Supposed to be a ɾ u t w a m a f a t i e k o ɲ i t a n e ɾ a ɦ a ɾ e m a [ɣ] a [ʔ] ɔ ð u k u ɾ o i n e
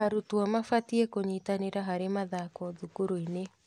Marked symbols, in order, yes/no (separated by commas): no, no